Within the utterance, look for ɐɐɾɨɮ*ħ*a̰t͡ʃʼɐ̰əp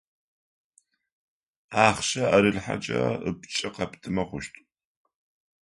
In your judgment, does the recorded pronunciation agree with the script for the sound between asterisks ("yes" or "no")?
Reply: yes